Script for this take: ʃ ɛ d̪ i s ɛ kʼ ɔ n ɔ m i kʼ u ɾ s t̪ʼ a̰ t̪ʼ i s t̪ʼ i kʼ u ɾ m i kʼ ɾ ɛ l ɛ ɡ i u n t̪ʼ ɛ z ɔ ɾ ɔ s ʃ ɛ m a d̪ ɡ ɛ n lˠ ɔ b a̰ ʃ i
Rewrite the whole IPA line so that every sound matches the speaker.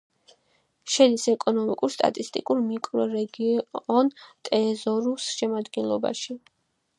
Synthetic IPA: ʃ ɛ d̪ i s ɛ kʼ ɔ n ɔ m i kʼ u ɾ s t̪ʼ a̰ t̪ʼ i s t̪ʼ i kʼ u ɾ m i kʼ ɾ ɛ ɾ ɛ ɡ i ɔ n t̪ʼ ɛ z ɔ ɾ u s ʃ ɛ m a d̪ ɡ ɛ n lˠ ɔ b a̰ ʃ i